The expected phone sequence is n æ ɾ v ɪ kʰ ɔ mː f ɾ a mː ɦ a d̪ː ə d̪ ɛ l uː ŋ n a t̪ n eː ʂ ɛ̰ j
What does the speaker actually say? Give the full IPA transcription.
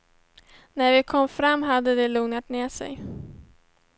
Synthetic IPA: n æ ɾ v ɪ kʰ ɔ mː f ɾ a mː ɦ a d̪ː ə d̪ ɛ l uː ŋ n a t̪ n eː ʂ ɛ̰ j

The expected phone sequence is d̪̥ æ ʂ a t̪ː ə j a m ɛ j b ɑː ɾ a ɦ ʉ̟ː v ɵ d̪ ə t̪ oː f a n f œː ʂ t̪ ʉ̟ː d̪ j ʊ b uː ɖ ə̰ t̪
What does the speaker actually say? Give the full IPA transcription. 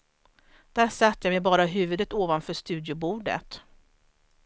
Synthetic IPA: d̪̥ æ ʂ a t̪ː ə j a m ɛ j b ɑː ɾ a ɦ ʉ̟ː v ɵ d̪ ə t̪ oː v a n f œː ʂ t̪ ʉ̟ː d̪ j ʊ b uː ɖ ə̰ t̪

